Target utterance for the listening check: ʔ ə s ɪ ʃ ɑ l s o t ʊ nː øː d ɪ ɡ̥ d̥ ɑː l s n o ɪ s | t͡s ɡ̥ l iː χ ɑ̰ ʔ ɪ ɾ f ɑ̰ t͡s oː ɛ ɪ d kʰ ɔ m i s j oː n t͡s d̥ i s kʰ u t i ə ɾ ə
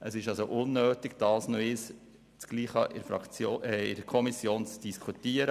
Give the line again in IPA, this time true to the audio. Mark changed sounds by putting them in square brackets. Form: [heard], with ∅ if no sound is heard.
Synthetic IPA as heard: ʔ ə s ɪ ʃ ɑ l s o [ʔ] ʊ nː øː [t] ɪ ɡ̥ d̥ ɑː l s n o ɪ s | t͡s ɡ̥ l iː χ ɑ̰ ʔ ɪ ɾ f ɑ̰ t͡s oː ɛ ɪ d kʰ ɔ m i s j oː n t͡s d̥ i s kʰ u t i ə ɾ ə